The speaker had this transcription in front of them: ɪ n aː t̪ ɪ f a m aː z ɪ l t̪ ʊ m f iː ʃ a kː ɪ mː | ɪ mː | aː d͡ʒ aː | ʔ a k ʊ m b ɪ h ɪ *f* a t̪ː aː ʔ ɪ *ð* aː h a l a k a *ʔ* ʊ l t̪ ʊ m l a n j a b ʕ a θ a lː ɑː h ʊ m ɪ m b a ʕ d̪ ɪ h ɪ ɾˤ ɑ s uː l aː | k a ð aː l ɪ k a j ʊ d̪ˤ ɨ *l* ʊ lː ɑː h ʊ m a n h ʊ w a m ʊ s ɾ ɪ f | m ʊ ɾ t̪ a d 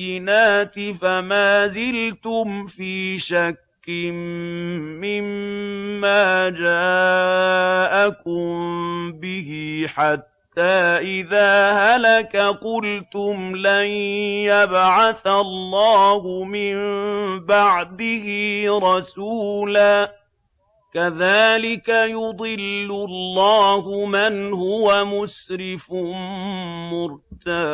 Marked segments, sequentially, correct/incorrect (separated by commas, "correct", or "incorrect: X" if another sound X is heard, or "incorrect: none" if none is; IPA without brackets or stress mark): incorrect: ħ, correct, incorrect: q, incorrect: lː